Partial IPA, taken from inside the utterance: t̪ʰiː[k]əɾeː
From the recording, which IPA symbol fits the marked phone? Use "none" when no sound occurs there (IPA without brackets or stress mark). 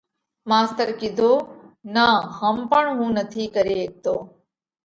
k